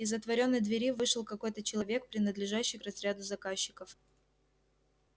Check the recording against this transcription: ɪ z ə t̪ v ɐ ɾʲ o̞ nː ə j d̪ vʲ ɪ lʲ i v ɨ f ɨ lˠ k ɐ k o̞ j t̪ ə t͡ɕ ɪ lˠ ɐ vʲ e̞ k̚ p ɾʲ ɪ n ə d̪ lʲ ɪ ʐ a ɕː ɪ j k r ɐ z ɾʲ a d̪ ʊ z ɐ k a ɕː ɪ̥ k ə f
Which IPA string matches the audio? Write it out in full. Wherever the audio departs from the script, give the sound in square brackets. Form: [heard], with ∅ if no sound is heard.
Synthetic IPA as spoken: ɪ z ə t̪ v ɐ ɾʲ o̞ nː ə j d̪ vʲ ɪ [ɾʲ] i v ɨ [ʂ] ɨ lˠ k ɐ k o̞ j t̪ ə t͡ɕ ɪ lˠ ɐ vʲ e̞ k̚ p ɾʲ ɪ n ə d̪ lʲ ɪ ʐ a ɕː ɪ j k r ɐ z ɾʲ a d̪ ʊ z ɐ k a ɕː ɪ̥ k ə f